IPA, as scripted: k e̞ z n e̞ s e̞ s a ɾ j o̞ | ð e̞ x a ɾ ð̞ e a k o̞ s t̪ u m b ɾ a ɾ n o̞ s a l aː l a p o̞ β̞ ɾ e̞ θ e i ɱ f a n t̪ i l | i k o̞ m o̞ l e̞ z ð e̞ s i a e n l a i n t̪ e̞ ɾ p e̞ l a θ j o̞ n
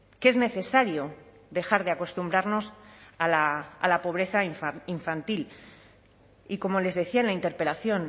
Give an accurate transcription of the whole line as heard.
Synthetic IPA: k e̞ z n e̞ θ e̞ s a ɾ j o̞ | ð e̞ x a ɾ ð̞ e a k o̞ s t̪ u m b ɾ a ɾ n o̞ s a l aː l a p o̞ β̞ ɾ e̞ θ a i ɱ f a n t̪ i l | i k o̞ m o̞ l e̞ z ð e̞ θ i a e n l a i n t̪ e̞ ɾ p e̞ l a θ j o̞ n